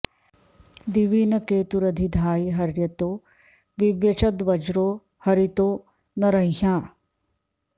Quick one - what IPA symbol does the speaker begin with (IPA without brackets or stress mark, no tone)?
d̪